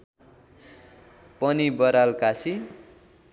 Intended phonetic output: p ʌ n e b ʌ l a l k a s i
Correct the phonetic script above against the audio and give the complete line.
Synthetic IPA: p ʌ n i b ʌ ɾ a l k a s i